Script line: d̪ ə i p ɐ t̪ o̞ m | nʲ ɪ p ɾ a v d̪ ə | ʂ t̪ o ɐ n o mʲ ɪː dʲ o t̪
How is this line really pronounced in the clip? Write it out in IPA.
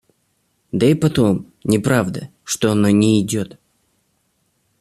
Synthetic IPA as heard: d̪ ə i p ɐ t̪ o̞ m | nʲ ɪ p ɾ a v d̪ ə | ʂ t̪ o ɐ n o nʲ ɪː dʲ o t̪